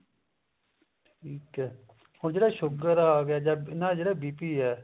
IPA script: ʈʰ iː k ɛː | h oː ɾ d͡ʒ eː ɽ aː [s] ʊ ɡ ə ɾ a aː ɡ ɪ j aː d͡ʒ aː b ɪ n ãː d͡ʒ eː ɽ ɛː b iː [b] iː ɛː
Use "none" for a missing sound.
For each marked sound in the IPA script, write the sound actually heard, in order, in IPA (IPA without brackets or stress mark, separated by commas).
ʃ, p